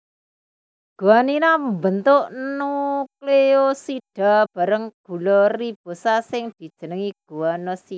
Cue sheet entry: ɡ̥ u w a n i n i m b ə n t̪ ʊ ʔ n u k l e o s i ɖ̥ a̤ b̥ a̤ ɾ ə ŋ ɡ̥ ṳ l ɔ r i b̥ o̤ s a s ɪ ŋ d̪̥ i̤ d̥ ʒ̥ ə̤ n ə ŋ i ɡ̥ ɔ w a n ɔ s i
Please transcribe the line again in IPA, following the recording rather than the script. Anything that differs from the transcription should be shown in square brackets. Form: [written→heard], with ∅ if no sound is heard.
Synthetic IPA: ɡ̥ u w a n i n [i→a] m b ə n t̪ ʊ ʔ n u k l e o s i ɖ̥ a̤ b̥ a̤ ɾ ə ŋ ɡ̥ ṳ l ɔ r i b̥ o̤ s a s ɪ ŋ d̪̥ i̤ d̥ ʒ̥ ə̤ n ə ŋ i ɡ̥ [ɔ→u] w a n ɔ s i